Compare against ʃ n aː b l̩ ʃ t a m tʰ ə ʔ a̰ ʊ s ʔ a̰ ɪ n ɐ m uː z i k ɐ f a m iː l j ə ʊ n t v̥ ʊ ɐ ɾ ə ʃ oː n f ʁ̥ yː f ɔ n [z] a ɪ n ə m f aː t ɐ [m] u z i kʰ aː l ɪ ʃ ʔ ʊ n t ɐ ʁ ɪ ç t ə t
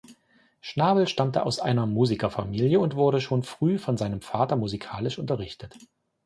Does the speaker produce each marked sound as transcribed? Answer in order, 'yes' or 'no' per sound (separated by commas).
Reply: yes, yes